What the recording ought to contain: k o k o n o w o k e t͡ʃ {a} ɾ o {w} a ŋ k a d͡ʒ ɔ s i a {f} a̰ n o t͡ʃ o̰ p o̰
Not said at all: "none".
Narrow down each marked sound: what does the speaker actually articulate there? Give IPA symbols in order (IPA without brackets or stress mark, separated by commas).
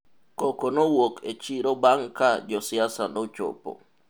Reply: i, b, s